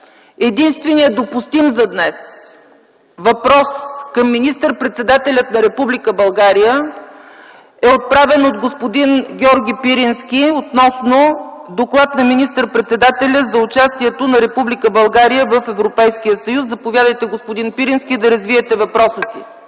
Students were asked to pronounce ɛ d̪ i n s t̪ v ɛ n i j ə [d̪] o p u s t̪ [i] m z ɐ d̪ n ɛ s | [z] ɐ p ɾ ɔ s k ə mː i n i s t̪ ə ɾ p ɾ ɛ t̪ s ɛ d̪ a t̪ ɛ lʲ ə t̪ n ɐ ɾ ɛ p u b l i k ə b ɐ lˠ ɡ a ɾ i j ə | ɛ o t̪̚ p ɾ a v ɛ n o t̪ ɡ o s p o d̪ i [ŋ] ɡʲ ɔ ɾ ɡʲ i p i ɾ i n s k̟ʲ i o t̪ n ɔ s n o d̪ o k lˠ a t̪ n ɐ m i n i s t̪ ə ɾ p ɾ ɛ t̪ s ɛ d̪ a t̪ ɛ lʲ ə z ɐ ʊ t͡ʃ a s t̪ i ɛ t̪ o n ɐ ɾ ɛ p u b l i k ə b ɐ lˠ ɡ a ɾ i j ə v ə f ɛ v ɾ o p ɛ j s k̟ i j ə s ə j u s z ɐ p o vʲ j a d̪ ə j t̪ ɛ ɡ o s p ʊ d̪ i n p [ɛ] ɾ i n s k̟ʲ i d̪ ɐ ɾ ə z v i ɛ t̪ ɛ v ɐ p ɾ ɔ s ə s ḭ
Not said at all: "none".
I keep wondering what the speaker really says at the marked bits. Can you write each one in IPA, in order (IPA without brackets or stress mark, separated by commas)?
d̪, i, v, n, i